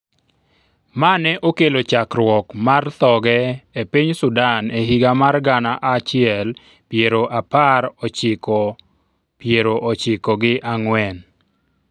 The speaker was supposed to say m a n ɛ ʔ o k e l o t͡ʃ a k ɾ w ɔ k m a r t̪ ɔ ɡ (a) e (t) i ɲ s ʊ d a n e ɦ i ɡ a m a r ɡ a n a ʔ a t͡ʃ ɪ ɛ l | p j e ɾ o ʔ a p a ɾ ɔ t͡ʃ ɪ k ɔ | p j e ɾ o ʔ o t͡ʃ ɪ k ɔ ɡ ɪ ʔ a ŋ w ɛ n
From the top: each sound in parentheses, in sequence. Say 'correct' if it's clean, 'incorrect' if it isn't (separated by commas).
incorrect, incorrect